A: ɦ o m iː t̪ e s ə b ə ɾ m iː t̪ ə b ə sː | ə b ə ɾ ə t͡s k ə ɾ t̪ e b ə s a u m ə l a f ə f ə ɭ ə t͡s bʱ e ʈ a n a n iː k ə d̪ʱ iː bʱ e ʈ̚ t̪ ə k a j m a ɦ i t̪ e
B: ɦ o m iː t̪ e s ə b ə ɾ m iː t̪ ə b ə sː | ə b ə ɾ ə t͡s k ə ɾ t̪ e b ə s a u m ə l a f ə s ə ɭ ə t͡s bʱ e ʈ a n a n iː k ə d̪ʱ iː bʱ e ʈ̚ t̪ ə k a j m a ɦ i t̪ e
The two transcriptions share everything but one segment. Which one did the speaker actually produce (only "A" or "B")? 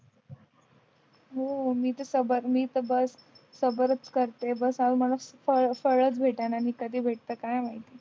A